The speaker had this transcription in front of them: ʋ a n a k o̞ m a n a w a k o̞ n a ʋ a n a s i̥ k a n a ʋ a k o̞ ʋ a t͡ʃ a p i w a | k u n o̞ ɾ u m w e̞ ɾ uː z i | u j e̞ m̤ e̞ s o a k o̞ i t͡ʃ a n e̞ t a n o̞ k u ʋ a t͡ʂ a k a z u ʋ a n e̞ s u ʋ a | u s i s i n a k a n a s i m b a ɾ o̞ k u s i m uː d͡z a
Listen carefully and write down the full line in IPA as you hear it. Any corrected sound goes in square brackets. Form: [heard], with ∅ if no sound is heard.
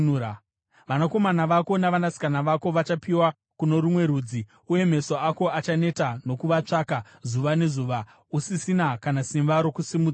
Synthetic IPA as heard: ʋ a n a k o̞ m a n a [ʋ] a k o̞ n a ʋ a n a s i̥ k a n a ʋ a k o̞ ʋ a t͡ʃ a p i w a | k u n o̞ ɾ u m w e̞ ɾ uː [d͡z] i | u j e̞ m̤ e̞ s o a k o̞ [a] t͡ʃ a n e̞ t a n o̞ k u ʋ a t͡ʂ a k a z u ʋ a n e̞ [z] u ʋ a | u s i s i n a k a n a s i m b a ɾ o̞ k u s i m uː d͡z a

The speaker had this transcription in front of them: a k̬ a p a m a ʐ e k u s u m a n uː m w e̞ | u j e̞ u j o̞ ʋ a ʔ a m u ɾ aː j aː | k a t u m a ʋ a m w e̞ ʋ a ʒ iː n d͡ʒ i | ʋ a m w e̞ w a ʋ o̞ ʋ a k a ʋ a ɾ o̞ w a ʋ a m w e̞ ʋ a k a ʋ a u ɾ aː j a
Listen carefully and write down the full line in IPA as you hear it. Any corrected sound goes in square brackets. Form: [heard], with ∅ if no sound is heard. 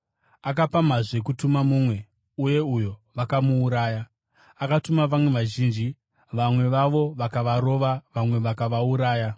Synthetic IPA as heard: a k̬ a p a m a ʐ e k u [t] u m a [m] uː m w e̞ | u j e̞ u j o̞ ʋ a [k] a m [uː] ɾ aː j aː | k a t u m a ʋ a m w e̞ ʋ a ʒ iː n d͡ʒ i | ʋ a m w e̞ [ʋ] a ʋ o̞ ʋ a k a ʋ a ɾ o̞ [ʋ] a ʋ a m w e̞ ʋ a k a ʋ a u ɾ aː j a

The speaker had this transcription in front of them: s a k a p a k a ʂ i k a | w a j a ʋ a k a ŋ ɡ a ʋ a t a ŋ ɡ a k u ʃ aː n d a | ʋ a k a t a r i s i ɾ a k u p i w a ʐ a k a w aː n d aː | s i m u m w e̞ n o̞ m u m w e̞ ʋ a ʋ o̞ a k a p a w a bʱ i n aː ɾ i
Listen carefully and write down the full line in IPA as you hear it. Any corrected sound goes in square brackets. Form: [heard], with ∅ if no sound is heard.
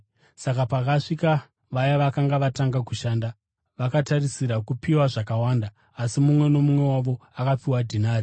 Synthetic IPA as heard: s a k a p a k a ʂ i k a | [ʋ] a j a ʋ a k a ŋ ɡ a ʋ a t a ŋ ɡ a k u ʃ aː n d a | ʋ a k a t a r i s i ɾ a k u p i w a ʐ a k a w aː n d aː | s i m u m w e̞ n o̞ m u m w e̞ [w] a ʋ o̞ a k a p [i] w a [dʱ] i n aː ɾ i

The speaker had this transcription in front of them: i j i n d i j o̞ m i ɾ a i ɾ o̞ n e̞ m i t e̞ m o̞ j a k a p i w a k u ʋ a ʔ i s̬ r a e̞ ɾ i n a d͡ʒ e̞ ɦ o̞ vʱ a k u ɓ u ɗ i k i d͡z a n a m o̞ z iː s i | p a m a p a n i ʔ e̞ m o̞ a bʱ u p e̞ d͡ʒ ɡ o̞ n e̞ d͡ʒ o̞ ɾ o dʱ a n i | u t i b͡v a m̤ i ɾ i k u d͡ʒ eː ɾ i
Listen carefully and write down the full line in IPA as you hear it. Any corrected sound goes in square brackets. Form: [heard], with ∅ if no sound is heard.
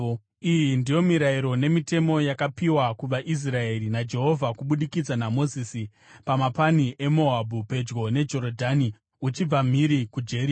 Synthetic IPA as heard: i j i n d i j o̞ m i ɾ a i ɾ o̞ n e̞ m i t e̞ m o̞ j a k a p i w a k u ʋ a ʔ i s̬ r a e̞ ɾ i n a d͡ʒ e̞ ɦ o̞ vʱ a k u ɓ u ɗ i k i d͡z a n a m o̞ z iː s i | p a m a p a n i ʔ e̞ m o̞ a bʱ u p e̞ d͡ʒ ɡ o̞ n e̞ d͡ʒ o̞ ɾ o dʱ a n i | u [t͡ʃ] i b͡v a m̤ i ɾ i k u d͡ʒ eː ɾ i

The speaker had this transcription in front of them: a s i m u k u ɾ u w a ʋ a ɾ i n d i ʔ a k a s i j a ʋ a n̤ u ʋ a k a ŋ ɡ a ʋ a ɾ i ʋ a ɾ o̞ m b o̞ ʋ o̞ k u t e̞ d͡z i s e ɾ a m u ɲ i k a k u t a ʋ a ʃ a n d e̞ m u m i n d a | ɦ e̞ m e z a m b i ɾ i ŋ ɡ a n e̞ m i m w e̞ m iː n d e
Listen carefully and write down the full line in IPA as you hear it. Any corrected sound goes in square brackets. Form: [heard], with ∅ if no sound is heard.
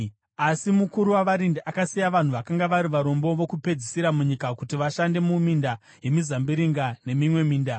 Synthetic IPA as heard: a s i m u k u ɾ u w a ʋ a ɾ i n d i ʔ a k a s i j a ʋ a n̤ u ʋ a k a ŋ ɡ a ʋ a ɾ i ʋ a ɾ o̞ m b o̞ ʋ o̞ k u [p] e̞ d͡z i s [i] ɾ a m u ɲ i k a k u t [i] ʋ a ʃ a n d e̞ m u m i n d a | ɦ e̞ m [i] z a m b i ɾ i ŋ ɡ a n e̞ m i m w e̞ m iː n d [a]

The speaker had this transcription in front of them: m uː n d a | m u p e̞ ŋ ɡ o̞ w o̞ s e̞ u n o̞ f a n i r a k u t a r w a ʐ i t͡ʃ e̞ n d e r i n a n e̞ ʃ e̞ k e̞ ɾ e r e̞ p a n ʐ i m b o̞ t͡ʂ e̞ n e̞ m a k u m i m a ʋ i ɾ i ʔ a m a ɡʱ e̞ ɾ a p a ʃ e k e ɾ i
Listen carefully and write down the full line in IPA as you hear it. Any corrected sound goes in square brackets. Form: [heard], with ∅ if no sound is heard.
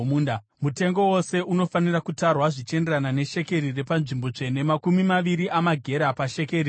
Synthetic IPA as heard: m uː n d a | m u [t] e̞ ŋ ɡ o̞ w o̞ s e̞ u n o̞ f a n i r a k u t a r w a ʐ i t͡ʃ e̞ n d e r [a] n a n e̞ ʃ e̞ k e̞ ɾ [i] r e̞ p a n ʐ i m b o̞ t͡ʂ e̞ n e̞ m a k u m i m a ʋ i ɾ i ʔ a m a ɡʱ e̞ ɾ a p a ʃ e k e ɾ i

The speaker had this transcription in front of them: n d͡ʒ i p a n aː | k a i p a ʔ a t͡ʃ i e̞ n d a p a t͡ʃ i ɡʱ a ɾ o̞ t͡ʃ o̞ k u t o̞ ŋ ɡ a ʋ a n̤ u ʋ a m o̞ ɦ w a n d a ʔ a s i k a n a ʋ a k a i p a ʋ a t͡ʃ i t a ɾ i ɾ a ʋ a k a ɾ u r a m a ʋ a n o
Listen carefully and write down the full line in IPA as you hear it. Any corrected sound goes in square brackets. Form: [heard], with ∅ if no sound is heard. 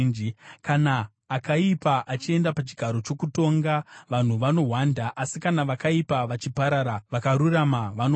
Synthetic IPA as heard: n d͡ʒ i [k] a n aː | k a i p a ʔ a t͡ʃ i e̞ n d a p a t͡ʃ i ɡʱ a ɾ o̞ t͡ʃ o̞ k u t o̞ ŋ ɡ a ʋ a n̤ u ʋ a [n] o̞ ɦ w a n d a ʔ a s i k a n a ʋ a k a i p a ʋ a t͡ʃ i [p] a ɾ [a] ɾ a ʋ a k a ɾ u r a m a ʋ a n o

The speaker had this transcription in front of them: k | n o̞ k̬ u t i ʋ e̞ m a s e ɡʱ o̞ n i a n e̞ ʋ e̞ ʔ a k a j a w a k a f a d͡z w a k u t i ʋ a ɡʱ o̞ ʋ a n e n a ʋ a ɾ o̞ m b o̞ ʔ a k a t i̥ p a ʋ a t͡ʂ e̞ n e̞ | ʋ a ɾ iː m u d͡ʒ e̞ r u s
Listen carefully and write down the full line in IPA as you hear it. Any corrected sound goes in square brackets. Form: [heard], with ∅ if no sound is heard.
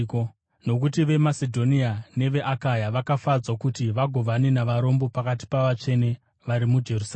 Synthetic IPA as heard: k | n o̞ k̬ u t i ʋ e̞ m a s e [dʱ] o̞ n i a n e̞ ʋ e̞ ʔ a k a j a [ʋ] a k a f a d͡z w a k u t i ʋ a ɡʱ o̞ ʋ a n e n a ʋ a ɾ o̞ m b o̞ [p] a k a t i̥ p a ʋ a t͡ʂ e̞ n e̞ | ʋ a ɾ [i] m u d͡ʒ e̞ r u s

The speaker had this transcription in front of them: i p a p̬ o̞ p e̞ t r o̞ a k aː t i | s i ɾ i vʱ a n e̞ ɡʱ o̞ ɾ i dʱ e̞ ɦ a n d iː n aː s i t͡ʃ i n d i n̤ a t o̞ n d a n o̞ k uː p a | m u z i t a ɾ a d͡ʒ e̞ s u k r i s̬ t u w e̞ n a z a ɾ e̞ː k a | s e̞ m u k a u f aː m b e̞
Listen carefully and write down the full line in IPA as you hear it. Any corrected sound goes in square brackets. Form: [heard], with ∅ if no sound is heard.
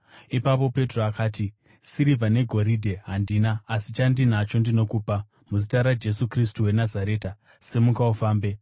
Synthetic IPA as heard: i p a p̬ o̞ p e̞ t r o̞ a k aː t i | s i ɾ i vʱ a n e̞ ɡʱ o̞ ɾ i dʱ e̞ ɦ a n d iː n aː s i t͡ʃ [a] n d i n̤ a [t͡ʃ] o̞ n d [i] n o̞ k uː p a | m u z i t a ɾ a d͡ʒ e̞ s u k r i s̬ t u w e̞ n a z a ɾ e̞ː [t] a | s e̞ m u k a u f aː m b e̞

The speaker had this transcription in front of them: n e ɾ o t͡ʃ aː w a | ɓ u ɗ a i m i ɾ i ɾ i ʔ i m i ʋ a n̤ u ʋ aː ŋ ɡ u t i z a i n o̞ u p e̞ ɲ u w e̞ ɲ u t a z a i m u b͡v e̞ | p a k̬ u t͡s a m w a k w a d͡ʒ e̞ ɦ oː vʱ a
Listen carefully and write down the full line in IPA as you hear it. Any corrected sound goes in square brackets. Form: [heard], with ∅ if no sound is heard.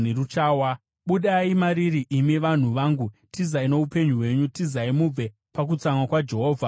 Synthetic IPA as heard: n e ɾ [u] t͡ʃ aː w a | ɓ u ɗ a i m [a] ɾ i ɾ i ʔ i m i ʋ a n̤ u ʋ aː ŋ ɡ u t i z a i n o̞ u p e̞ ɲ u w e̞ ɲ u t [i] z a i m u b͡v e̞ | p a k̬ u t͡s a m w a k w a d͡ʒ e̞ ɦ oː vʱ a

